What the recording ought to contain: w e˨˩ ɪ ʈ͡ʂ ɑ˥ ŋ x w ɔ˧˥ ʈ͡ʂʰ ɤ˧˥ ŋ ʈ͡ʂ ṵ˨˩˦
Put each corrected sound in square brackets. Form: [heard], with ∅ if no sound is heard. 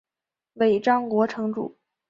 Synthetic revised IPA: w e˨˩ ɪ ʈ͡ʂ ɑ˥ ŋ [k] w ɔ˧˥ ʈ͡ʂʰ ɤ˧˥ ŋ ʈ͡ʂ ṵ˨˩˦